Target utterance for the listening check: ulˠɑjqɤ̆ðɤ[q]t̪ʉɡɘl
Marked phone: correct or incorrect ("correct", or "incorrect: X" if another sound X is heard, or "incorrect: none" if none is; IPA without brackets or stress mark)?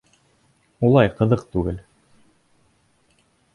correct